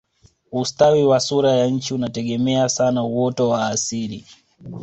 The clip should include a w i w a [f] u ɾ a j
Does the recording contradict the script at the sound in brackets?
yes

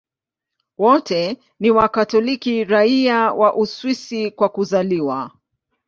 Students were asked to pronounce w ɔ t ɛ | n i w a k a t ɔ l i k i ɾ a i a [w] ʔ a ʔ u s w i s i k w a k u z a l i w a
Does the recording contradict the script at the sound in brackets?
no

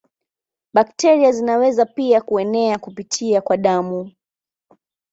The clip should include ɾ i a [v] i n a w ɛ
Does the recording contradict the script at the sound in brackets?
yes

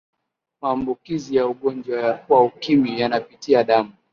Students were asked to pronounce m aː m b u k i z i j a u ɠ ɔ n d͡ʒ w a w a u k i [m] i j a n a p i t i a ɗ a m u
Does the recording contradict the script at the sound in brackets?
no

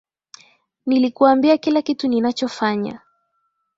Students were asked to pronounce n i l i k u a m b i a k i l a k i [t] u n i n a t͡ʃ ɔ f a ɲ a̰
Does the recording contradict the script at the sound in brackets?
no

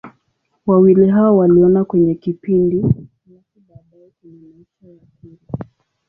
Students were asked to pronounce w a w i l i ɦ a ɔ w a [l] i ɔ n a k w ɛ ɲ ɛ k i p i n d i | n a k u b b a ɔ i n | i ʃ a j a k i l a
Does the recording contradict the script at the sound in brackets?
no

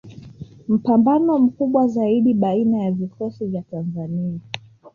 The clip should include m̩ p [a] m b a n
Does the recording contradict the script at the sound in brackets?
no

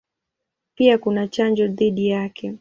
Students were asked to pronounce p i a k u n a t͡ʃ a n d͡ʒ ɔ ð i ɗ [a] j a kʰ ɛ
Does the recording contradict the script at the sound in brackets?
yes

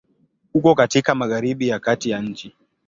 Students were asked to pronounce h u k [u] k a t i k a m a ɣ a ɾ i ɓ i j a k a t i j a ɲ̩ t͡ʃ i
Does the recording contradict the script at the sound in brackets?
yes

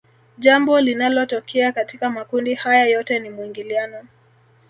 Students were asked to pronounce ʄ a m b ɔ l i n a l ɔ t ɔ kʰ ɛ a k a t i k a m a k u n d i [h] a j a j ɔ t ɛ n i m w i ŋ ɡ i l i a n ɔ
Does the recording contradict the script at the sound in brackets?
no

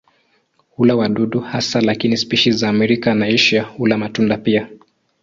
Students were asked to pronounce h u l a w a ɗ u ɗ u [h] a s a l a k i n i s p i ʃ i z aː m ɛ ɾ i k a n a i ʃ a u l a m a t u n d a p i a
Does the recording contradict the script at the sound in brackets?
no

